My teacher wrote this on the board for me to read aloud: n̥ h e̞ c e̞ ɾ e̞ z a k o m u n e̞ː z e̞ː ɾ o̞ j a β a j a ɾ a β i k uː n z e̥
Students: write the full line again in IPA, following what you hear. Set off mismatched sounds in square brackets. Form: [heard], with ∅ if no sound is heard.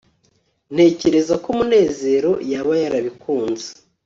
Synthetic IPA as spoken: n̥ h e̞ c e̞ ɾ e̞ z a k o m u n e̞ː z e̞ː ɾ o̞ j a β a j a ɾ a β i k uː n z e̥